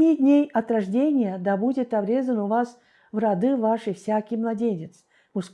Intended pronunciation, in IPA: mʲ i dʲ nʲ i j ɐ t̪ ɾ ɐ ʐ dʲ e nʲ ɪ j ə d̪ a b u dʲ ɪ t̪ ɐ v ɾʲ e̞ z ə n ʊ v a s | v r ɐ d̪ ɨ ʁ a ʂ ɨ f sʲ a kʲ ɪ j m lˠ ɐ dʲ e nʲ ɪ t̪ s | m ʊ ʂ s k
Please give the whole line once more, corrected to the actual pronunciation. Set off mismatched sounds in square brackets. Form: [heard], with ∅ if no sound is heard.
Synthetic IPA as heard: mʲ i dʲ nʲ [e] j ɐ t̪ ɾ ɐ ʐ dʲ e nʲ ɪ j ə d̪ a b u dʲ ɪ t̪ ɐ [b] ɾʲ e̞ z ə n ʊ v a s | v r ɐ d̪ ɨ [v] a ʂ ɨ f sʲ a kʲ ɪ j m lˠ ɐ dʲ e nʲ ɪ t̪ s | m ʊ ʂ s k